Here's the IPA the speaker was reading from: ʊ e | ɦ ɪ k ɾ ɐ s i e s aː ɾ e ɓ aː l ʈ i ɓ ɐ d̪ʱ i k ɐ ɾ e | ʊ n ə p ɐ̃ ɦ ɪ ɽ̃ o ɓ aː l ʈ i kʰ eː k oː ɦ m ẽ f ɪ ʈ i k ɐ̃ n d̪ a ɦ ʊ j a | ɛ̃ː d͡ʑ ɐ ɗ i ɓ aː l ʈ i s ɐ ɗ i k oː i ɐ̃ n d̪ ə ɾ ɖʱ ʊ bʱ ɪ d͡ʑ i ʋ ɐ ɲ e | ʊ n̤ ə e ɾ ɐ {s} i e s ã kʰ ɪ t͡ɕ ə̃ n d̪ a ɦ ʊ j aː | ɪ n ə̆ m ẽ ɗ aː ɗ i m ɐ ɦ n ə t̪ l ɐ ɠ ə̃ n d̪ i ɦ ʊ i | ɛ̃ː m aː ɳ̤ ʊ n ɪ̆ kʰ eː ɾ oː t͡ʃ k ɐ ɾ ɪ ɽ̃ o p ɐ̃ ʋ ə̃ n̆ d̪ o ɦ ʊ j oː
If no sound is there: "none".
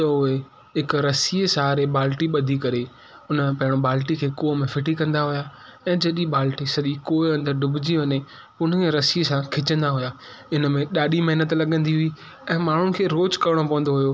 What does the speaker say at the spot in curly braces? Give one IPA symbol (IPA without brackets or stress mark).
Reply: s